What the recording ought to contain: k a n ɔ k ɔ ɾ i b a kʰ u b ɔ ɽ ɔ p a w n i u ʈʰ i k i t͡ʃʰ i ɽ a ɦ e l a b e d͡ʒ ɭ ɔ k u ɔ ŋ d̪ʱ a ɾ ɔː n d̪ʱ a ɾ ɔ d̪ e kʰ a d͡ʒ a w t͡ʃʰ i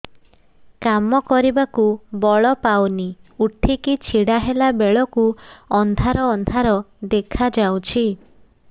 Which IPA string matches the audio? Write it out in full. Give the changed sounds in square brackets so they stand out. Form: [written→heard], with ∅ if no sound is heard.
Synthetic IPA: k a [n→m] ɔ k ɔ ɾ i b a [kʰ→k] u b ɔ [ɽ→ɭ] ɔ p a w n i u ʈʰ i k i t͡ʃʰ i ɽ a ɦ e l a b e [d͡ʒ→∅] ɭ ɔ k u ɔ [ŋ→n] d̪ʱ a ɾ ɔː n d̪ʱ a ɾ ɔ d̪ e kʰ a d͡ʒ a w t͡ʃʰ i